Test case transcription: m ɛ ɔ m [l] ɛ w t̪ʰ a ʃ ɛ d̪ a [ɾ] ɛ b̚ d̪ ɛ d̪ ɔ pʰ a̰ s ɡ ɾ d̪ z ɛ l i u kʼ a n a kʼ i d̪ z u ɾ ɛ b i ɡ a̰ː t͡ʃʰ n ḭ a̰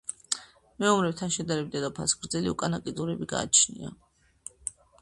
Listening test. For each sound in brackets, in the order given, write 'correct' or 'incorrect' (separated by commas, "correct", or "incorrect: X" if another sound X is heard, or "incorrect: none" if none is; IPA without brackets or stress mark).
incorrect: ɾ, correct